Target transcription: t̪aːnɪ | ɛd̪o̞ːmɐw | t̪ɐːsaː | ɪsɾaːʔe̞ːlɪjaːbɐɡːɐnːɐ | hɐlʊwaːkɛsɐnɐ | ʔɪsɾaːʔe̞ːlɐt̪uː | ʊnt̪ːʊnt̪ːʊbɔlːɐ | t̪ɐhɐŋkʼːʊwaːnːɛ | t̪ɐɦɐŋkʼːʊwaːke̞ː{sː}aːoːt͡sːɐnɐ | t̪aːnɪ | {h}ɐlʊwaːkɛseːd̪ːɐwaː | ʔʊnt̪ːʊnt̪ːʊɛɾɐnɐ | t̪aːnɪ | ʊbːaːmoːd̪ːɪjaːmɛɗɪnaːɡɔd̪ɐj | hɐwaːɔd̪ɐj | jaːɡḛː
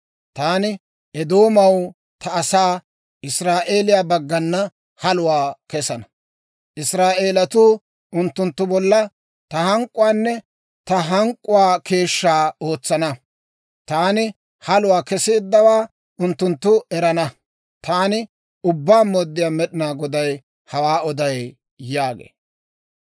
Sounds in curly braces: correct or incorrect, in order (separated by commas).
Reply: incorrect, correct